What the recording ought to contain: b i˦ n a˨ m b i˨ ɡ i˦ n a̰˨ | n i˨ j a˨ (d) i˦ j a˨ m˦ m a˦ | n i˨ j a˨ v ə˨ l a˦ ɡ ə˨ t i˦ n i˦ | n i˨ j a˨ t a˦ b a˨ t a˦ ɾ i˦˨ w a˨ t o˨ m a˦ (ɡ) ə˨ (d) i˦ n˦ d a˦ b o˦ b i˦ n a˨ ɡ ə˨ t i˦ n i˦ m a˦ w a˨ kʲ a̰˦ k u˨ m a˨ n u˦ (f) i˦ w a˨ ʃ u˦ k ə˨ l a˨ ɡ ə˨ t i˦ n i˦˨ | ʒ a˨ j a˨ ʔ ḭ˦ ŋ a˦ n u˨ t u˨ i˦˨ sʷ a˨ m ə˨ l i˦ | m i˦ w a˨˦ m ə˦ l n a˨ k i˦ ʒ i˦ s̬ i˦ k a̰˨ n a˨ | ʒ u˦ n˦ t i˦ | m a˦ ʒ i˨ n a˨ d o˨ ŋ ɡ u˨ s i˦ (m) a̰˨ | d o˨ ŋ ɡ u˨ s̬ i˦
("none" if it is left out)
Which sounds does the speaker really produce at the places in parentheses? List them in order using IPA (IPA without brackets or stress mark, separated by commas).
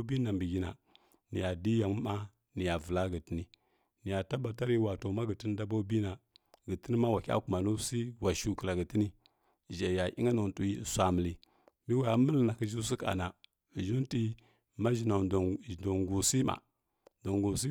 d, ɡ, t, s, m